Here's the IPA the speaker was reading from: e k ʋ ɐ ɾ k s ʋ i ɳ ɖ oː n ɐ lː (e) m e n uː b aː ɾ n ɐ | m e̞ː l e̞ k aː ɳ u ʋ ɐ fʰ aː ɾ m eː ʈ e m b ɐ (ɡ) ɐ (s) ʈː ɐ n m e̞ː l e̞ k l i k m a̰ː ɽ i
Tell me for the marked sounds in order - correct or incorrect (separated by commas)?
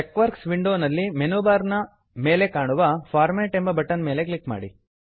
incorrect, incorrect, incorrect